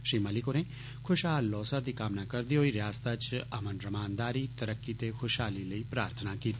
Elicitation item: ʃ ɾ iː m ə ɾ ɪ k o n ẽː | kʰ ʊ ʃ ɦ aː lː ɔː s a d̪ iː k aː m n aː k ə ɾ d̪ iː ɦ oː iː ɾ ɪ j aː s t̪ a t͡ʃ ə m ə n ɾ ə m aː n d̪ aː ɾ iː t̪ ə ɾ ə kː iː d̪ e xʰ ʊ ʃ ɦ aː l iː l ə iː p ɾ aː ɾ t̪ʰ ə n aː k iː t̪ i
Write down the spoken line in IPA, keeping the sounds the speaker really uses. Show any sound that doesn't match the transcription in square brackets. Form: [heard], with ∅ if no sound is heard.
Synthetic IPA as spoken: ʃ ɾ iː m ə [l] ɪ k o n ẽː | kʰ ʊ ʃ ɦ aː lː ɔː s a d̪ iː k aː m n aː k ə ɾ d̪ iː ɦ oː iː ɾ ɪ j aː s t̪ a t͡ʃ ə m ə n ɾ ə m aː n d̪ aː ɾ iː t̪ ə ɾ ə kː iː [t̪] e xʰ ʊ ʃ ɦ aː l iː l ə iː p ɾ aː ɾ t̪ʰ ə n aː k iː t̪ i